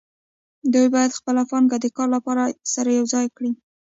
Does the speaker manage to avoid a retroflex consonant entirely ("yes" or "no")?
no